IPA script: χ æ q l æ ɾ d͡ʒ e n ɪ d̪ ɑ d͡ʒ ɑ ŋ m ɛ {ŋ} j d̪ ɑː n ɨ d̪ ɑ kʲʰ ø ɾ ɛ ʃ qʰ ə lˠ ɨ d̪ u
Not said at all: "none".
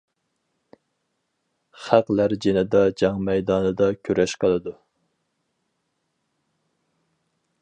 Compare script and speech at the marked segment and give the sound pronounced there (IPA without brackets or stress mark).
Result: none